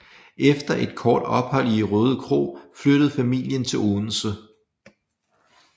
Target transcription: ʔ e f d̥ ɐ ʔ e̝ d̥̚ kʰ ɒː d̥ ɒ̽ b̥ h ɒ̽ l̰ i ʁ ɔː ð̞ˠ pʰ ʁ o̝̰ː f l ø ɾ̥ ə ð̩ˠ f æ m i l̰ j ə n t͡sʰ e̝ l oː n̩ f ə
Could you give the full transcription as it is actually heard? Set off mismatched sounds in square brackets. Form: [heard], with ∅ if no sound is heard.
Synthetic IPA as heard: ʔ e f d̥ ɐ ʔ e̝ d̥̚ kʰ ɒː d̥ ɒ̽ b̥ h ɒ̽ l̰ i ʁ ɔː ð̞ˠ [kʰ] ʁ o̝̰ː f l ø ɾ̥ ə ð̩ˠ f æ m i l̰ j ə n t͡sʰ e̝ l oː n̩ [s] ə